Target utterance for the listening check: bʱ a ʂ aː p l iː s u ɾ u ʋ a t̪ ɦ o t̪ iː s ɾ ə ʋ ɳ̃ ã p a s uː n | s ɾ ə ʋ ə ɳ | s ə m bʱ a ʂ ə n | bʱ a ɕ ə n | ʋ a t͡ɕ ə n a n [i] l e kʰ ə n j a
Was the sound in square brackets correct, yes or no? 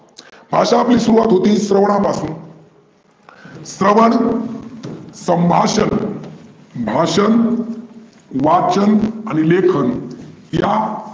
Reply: yes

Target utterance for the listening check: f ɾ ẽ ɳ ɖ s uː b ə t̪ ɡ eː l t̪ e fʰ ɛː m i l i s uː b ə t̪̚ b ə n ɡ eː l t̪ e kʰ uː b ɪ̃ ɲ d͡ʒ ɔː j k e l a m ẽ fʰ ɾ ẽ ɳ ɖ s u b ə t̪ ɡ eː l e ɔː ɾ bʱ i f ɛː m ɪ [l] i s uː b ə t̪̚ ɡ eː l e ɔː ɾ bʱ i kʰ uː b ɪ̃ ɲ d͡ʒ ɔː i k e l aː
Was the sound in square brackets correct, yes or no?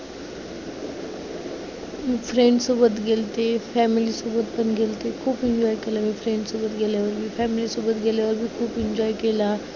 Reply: yes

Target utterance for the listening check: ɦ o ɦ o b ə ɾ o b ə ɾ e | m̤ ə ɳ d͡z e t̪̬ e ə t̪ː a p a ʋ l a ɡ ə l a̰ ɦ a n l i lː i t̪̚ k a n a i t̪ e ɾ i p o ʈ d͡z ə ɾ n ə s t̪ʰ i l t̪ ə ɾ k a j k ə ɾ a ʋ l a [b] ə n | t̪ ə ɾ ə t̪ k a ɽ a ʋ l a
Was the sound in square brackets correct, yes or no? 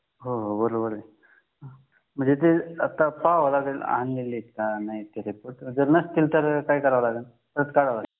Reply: no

